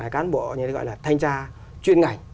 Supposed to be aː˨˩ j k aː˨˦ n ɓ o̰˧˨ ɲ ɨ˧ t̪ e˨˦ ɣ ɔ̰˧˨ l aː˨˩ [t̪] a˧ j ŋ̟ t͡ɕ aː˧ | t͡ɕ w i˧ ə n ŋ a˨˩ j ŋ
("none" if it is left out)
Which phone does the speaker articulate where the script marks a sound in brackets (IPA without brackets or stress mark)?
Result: t̪ʰ